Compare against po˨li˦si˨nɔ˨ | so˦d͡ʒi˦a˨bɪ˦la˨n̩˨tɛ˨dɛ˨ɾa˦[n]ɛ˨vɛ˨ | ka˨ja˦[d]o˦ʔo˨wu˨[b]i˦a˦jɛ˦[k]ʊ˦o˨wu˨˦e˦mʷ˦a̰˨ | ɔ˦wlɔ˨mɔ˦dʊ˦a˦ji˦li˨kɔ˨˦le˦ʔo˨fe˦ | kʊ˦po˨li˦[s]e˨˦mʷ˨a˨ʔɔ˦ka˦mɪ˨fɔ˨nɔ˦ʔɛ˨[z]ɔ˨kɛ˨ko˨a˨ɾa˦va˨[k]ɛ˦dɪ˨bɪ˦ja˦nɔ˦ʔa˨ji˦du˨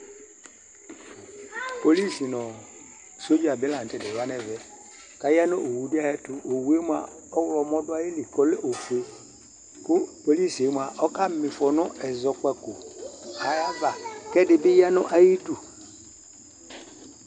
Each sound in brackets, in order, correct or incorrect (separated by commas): correct, incorrect, incorrect, incorrect, correct, correct, correct